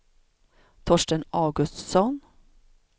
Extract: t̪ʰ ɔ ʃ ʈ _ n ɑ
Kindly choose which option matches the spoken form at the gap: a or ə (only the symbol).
ə